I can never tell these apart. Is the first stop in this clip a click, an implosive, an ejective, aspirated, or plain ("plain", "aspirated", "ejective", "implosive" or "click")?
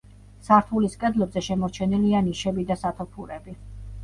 aspirated